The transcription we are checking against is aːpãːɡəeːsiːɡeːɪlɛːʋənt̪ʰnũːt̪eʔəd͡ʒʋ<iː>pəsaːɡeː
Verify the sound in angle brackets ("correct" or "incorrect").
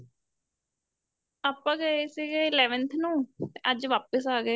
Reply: incorrect